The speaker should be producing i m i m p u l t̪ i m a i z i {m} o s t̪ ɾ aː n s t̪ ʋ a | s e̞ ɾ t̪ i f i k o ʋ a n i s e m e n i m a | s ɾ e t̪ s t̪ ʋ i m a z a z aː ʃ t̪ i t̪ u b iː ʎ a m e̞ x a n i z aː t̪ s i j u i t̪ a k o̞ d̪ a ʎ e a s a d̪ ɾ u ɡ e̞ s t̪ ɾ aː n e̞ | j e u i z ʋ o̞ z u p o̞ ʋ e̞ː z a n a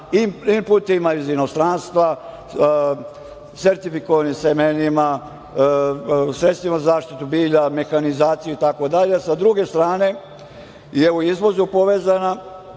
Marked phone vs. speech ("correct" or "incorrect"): incorrect